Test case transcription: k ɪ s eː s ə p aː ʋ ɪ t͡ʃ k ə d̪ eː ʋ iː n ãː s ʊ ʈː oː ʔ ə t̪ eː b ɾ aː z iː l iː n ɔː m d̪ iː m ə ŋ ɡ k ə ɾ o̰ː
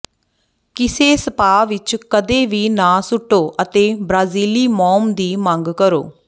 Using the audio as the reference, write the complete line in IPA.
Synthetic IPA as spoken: k ɪ s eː s ə p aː ʋ ɪ t͡ʃ k ə d̪ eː ʋ iː n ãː s ʊ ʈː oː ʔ ə t̪ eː b ɾ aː z iː l iː m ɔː m d̪ iː m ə ŋ ɡ k ə ɾ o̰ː